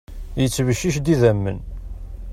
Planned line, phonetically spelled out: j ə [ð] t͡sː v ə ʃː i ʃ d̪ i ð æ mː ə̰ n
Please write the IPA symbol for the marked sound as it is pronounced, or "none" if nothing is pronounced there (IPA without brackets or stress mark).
none